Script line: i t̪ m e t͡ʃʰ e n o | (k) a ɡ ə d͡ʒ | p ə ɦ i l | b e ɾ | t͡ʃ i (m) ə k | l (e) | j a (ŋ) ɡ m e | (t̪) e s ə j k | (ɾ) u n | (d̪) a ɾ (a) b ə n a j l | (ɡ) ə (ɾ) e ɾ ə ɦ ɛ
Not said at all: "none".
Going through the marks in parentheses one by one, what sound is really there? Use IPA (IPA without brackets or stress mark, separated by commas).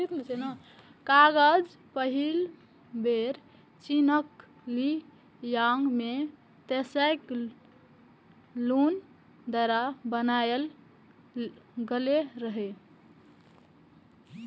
k, n, i, ŋ, t̪, l, d̪, a, ɡ, l